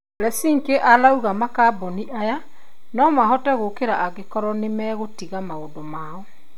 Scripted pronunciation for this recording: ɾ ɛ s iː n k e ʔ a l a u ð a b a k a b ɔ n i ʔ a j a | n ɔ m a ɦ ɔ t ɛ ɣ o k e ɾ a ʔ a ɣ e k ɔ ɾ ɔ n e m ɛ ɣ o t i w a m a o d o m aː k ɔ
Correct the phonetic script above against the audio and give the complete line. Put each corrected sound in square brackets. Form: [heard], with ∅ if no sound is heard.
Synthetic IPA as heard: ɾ ɛ s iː [ŋ] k e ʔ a l a u [ɣ] a [m] a k a b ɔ n i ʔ a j a | n ɔ m a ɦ ɔ t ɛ ɣ o k e ɾ a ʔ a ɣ e k ɔ ɾ ɔ n e m ɛ ɣ o t i [ɣ] a m a o d o m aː [∅] ɔ